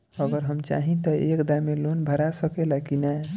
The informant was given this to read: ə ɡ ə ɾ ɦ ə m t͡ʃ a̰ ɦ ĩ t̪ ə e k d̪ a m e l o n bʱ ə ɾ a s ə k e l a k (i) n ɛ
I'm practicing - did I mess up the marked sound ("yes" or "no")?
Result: no